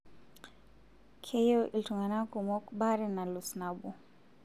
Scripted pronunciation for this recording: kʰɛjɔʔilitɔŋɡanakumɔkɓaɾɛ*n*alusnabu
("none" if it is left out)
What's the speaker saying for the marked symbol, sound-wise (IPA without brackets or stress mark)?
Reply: n